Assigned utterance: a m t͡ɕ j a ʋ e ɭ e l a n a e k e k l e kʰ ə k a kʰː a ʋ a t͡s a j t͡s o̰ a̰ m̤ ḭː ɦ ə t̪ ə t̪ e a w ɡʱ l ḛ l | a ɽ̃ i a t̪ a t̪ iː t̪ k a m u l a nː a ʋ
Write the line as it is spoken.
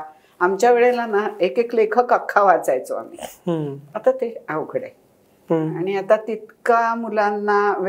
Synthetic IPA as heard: a m t͡ɕ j a ʋ e ɭ e l a n a e k e k l e kʰ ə k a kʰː a ʋ a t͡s a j t͡s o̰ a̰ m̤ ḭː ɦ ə t̪ a t̪ e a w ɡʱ ɽ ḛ | a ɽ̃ i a t̪ a t̪ i t̪ k a m u l a nː a ʋ